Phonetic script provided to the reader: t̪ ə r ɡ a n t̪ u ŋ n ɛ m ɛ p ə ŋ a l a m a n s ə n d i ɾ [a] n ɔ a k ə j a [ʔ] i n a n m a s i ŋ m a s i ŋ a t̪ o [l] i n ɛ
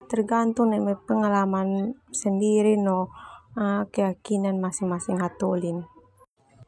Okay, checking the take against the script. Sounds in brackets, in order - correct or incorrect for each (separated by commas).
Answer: incorrect, incorrect, correct